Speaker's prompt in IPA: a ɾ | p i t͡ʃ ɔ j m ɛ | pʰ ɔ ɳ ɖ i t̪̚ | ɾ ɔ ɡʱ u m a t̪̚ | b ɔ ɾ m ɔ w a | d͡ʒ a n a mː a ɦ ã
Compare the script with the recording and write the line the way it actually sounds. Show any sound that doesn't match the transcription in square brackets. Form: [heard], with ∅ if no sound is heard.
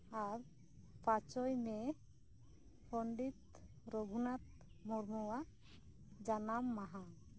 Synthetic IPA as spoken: a ɾ | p [a] t͡ʃ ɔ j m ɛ | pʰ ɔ ɳ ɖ i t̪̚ | ɾ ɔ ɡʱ u [n] a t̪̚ | [m] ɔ ɾ m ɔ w a | d͡ʒ a n a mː a ɦ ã